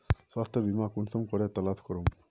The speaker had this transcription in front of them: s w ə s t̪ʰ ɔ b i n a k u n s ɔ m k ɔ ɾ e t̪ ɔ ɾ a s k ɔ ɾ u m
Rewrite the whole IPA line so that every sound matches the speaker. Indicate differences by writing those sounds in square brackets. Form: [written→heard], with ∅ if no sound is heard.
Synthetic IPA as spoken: s w [ə→a] s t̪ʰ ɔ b i [n→m] a k u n s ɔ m k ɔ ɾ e t̪ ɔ [ɾ→l] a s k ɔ ɾ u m